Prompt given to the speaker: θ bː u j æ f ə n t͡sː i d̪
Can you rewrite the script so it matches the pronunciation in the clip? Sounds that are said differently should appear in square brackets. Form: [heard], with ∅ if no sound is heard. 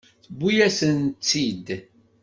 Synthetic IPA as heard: θ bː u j æ [s] ə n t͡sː i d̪